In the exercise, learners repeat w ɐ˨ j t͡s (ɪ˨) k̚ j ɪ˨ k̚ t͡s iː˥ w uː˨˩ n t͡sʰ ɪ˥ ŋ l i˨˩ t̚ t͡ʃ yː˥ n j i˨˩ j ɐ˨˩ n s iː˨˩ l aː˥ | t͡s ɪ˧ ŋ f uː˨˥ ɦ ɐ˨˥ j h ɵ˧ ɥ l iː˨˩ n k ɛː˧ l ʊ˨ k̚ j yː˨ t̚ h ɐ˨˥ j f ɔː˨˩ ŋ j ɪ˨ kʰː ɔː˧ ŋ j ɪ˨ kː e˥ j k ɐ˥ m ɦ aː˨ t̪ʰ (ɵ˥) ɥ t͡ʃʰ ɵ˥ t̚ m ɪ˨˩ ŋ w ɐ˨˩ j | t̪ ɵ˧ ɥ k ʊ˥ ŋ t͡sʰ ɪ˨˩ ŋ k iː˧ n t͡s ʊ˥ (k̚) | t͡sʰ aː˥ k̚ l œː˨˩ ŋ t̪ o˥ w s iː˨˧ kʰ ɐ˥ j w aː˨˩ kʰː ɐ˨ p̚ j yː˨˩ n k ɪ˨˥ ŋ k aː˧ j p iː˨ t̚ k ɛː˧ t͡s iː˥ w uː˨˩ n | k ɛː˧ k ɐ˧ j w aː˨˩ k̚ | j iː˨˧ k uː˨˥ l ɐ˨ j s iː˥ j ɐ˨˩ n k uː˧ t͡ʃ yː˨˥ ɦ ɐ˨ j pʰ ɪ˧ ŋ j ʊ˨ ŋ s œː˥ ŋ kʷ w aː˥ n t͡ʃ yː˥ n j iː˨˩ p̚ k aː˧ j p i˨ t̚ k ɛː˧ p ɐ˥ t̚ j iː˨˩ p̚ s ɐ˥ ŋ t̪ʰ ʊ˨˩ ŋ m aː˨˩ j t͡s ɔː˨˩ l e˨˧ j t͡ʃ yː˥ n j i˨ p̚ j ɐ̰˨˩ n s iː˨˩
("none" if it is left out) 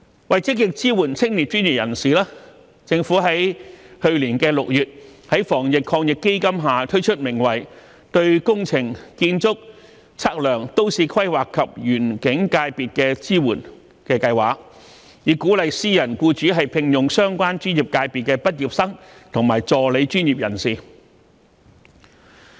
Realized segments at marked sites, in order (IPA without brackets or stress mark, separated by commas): ɪ˥, ɵ˥, k̚